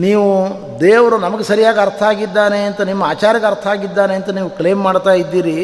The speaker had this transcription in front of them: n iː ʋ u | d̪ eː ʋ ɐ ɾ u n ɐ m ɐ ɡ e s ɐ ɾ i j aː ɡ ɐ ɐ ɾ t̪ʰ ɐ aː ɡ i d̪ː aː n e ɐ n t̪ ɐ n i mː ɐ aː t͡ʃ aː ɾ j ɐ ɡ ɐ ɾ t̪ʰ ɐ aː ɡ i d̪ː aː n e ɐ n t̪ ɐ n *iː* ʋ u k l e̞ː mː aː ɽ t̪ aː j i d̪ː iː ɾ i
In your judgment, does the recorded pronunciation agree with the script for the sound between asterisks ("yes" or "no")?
yes